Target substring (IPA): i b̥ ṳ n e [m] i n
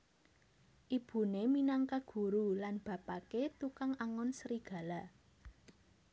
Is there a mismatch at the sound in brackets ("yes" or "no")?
no